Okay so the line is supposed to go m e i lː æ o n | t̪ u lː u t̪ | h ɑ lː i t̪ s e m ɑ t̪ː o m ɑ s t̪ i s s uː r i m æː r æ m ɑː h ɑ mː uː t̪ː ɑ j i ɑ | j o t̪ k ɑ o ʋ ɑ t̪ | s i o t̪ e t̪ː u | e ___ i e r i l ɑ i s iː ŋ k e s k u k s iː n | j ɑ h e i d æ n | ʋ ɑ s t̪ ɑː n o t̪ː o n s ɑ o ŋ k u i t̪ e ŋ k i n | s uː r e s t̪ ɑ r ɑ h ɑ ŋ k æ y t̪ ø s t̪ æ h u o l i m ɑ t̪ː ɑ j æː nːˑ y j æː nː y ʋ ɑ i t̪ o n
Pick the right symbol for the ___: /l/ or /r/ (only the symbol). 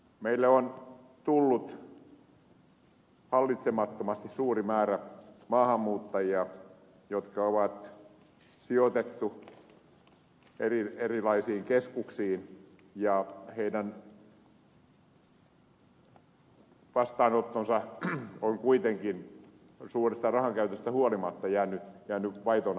r